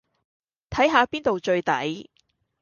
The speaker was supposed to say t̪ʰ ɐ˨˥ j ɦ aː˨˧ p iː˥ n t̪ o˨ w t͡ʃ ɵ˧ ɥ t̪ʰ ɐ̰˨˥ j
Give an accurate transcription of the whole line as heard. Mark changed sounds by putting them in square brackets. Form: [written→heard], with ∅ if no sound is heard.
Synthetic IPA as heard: t̪ʰ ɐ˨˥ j ɦ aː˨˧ p iː˥ n t̪ o˨ w t͡ʃ ɵ˧ ɥ [t̪ʰ→t̪] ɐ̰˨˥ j

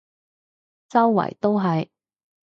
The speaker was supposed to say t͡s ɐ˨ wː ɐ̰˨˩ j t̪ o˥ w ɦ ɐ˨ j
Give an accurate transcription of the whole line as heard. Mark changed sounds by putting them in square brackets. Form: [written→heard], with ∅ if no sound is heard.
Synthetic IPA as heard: t͡s [ɐ˨→ɐ˥] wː ɐ̰˨˩ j t̪ o˥ w ɦ ɐ˨ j

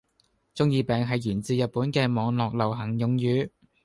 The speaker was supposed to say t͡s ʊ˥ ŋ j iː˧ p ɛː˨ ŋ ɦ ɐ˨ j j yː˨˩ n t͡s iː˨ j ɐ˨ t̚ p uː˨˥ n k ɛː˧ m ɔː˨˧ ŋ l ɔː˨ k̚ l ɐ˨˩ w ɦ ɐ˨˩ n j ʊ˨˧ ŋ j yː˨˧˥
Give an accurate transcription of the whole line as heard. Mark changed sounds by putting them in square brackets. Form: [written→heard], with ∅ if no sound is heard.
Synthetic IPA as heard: t͡s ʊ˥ ŋ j iː˧ p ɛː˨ ŋ ɦ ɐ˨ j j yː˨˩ n t͡s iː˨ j ɐ˨ t̚ p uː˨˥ n k ɛː˧ m ɔː˨˧ ŋ l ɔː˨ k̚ l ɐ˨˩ w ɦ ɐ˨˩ [n→ŋ] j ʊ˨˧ ŋ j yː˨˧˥

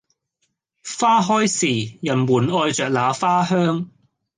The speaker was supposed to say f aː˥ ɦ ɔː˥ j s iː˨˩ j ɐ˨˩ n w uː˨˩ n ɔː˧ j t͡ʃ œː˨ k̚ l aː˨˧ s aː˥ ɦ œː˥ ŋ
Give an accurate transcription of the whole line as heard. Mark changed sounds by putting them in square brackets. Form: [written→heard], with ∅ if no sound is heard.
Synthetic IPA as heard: f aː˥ ɦ ɔː˥ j s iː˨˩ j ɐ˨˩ n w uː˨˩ n ɔː˧ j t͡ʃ œː˨ k̚ l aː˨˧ [s→f] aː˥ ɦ œː˥ ŋ

